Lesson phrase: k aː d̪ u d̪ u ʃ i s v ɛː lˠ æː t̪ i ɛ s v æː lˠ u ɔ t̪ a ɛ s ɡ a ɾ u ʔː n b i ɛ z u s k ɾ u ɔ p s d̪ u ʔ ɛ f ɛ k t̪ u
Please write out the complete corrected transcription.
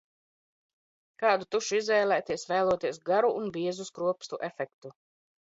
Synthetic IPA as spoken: k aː d̪ u t̪ u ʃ i z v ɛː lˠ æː t̪ i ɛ s v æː lˠ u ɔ t̪ i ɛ s ɡ a ɾ u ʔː n b i ɛ z u s k ɾ u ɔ p s t̪ u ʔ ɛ f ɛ k t̪ u